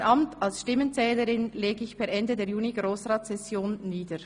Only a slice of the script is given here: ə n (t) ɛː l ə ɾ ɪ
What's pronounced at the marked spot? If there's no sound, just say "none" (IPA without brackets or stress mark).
t͡s